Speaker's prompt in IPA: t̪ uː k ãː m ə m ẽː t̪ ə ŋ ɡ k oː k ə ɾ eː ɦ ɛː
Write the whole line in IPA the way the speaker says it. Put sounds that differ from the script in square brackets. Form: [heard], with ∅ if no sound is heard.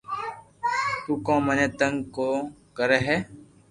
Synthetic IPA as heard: t̪ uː k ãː m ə [n] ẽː t̪ ə ŋ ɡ k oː k ə ɾ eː ɦ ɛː